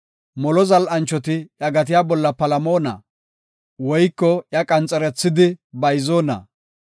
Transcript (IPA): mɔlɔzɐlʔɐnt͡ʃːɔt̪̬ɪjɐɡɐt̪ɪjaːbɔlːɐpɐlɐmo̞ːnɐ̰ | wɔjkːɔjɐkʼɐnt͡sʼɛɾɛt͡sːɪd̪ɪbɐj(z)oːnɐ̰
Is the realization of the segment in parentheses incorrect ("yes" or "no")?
no